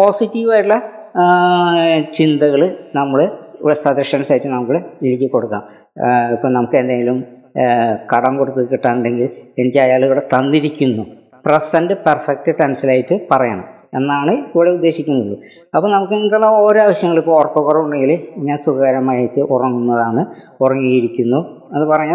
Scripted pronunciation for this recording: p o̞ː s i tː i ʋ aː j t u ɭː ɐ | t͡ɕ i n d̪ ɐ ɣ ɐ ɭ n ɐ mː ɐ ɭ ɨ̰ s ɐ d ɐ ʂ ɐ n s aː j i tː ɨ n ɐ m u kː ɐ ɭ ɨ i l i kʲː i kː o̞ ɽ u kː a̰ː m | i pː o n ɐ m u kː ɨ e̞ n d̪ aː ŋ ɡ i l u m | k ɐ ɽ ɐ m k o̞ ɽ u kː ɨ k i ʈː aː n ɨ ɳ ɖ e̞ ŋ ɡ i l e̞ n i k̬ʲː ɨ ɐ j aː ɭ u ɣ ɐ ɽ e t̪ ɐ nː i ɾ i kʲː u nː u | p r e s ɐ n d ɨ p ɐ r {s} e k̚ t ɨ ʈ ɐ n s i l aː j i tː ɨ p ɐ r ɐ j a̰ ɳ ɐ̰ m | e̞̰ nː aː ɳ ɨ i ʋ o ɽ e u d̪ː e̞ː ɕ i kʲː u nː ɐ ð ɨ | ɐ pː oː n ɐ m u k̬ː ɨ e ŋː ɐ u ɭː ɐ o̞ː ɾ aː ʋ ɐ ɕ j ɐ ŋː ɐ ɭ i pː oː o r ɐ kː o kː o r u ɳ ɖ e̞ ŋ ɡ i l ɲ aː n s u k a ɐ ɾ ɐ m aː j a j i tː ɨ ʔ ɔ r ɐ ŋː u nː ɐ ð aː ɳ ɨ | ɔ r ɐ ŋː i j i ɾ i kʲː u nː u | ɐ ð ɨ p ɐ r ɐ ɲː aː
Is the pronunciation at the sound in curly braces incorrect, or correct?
incorrect